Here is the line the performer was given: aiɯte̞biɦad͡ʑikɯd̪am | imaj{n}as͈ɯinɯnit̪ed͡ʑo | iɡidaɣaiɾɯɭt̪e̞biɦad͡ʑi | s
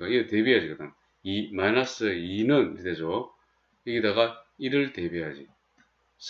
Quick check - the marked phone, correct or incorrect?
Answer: correct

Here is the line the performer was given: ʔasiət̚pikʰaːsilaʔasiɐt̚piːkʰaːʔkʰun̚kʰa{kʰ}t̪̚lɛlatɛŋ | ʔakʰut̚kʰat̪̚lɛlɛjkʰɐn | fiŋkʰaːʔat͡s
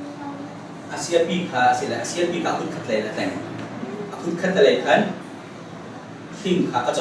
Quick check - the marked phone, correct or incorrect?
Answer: incorrect: none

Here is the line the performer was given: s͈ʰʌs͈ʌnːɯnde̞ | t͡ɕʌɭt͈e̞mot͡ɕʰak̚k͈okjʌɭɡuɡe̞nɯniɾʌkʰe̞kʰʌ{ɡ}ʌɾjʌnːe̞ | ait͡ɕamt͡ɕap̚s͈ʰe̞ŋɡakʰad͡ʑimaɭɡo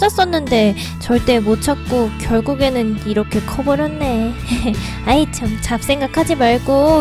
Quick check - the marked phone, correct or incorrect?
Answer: incorrect: b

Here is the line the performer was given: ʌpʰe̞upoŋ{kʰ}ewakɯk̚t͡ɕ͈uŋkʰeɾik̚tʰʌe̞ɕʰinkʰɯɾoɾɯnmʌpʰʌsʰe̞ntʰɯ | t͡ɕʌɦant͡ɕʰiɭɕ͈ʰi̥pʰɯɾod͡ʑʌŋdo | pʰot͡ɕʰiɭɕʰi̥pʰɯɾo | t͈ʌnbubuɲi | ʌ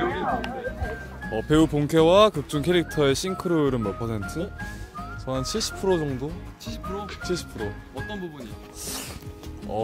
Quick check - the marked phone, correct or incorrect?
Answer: correct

